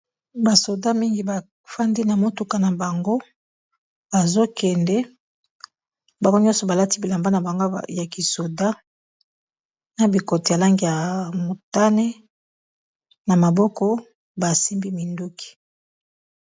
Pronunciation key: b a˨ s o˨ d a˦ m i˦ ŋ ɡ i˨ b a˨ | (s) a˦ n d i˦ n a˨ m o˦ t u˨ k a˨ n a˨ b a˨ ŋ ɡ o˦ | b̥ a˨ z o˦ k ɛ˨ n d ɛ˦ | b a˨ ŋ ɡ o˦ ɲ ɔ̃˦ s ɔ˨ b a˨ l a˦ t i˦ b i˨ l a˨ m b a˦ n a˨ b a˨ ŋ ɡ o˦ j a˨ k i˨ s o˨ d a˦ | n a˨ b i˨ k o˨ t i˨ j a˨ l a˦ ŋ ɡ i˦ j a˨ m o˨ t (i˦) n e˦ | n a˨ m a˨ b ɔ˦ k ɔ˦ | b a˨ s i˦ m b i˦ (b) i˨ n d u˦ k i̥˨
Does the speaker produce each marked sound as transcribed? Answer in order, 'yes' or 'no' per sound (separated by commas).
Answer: no, no, no